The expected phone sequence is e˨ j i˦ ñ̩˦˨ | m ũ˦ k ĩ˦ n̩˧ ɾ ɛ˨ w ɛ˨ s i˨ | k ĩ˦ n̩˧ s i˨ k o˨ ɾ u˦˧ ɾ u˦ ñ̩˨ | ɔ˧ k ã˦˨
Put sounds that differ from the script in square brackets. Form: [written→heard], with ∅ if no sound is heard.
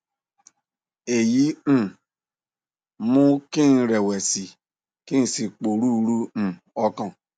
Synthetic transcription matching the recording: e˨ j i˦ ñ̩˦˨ | m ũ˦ k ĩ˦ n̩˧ ɾ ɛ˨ w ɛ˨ s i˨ | k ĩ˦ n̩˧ s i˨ [k→k͡p] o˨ ɾ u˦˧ ɾ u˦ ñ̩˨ | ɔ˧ k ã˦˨